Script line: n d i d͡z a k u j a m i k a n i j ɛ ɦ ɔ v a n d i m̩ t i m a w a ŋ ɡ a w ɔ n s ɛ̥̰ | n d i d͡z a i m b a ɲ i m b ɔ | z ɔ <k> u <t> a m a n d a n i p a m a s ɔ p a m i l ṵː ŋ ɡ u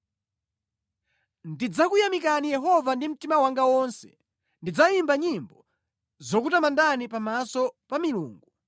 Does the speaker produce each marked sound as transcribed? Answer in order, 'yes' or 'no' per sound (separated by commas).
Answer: yes, yes